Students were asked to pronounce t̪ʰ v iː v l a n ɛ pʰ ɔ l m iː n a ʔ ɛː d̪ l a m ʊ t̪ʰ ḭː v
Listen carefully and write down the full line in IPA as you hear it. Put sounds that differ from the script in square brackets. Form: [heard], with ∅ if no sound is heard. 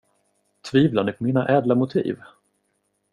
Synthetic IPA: t̪ʰ v iː v l a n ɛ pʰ ɔ [∅] m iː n a ʔ ɛː d̪ l a m ʊ t̪ʰ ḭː v